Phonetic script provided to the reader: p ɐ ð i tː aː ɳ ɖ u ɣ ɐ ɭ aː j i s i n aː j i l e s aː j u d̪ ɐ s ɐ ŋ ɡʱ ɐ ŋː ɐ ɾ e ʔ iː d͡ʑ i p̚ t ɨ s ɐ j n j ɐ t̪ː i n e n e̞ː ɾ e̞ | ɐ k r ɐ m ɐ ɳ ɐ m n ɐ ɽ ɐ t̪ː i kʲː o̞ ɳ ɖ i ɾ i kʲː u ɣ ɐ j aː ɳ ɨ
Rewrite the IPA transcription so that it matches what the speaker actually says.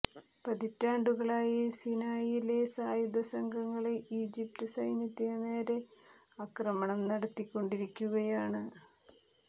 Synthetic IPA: p ɐ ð i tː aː ɳ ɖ u ɣ ɐ ɭ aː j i s i n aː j i l e s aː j u d̪ ɐ s ɐ ŋ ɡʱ ɐ ŋː ɐ ɭ e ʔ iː d͡ʑ i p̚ t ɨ s ɐ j n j ɐ t̪ː i n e n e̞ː ɾ e̞ | ɐ k r ɐ m ɐ ɳ ɐ m n ɐ ɽ ɐ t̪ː i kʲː o̞ ɳ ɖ i ɾ i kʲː u ɣ ɐ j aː ɳ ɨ